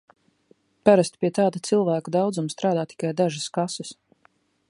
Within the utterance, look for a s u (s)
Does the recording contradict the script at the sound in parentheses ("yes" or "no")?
no